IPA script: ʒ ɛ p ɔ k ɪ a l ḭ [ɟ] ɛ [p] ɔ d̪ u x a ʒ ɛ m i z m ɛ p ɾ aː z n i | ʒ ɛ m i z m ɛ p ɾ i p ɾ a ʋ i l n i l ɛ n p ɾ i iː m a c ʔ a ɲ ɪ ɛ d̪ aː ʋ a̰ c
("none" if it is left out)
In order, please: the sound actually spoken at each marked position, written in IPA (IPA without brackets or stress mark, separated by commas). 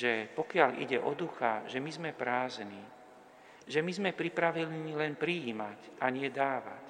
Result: ɟ, ʔ